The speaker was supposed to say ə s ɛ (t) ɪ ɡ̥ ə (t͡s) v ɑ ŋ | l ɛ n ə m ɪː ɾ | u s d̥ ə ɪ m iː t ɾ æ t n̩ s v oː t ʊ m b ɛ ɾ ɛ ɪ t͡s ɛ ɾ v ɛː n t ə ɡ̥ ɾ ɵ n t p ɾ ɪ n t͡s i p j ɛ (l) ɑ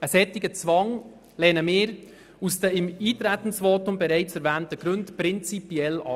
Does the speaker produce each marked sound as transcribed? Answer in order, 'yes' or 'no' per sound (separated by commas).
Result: yes, yes, yes